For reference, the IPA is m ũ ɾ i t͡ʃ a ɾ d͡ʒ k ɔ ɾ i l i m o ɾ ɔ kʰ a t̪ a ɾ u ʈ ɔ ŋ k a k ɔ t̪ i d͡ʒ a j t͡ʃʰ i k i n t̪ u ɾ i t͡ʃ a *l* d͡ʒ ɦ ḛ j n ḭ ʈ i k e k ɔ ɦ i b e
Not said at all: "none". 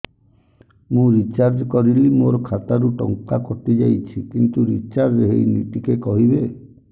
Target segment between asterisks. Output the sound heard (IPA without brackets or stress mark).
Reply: ɾ